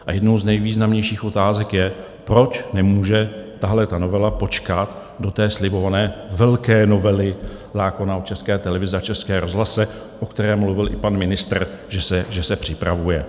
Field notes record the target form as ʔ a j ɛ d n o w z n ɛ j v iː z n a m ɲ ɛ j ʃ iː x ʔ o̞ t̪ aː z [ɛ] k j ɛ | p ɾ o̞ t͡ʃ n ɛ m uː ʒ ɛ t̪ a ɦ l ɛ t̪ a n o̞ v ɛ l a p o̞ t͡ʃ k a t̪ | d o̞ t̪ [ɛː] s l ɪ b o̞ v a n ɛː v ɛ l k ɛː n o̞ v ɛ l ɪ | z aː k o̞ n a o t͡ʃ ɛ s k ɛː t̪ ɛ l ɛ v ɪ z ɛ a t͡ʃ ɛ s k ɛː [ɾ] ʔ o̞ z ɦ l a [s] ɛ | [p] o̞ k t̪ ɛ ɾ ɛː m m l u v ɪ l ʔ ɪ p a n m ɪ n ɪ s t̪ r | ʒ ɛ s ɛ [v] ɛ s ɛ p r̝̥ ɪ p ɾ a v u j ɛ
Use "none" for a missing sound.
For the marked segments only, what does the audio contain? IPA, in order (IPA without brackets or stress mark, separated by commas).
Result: ɛ, ɛː, ɾ, s, ʔ, ʒ